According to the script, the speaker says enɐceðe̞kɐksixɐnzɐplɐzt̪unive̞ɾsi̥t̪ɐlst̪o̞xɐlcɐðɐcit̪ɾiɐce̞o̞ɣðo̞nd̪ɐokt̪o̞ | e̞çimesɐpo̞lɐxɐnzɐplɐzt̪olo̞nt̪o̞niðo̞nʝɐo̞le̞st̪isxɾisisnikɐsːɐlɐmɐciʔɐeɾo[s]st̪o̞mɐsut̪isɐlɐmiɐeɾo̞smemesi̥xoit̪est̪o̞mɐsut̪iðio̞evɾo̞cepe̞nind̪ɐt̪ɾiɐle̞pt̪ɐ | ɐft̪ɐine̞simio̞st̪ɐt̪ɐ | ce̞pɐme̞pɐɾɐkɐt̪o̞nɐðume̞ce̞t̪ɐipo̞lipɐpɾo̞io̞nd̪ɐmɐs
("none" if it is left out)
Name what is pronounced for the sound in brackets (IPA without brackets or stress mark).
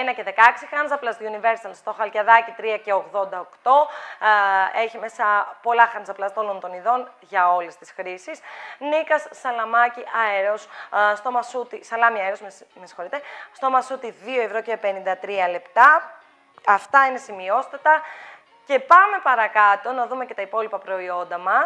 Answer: s